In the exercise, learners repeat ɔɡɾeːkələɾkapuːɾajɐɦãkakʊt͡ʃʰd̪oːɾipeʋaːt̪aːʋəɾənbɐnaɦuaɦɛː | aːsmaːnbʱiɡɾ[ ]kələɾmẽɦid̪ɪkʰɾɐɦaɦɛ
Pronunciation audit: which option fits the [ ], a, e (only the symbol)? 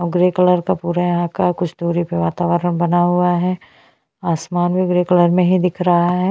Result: e